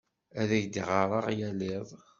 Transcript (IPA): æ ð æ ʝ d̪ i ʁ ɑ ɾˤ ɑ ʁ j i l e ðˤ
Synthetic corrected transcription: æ ð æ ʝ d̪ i ʁ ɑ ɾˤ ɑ ʁ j æ l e ðˤ